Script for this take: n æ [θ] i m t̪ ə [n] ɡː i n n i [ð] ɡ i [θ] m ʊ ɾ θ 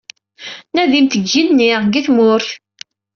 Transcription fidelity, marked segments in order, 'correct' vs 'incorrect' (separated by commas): incorrect, incorrect, incorrect, correct